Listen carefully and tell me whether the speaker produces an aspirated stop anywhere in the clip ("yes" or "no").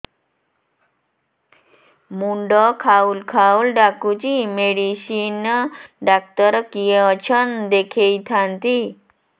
yes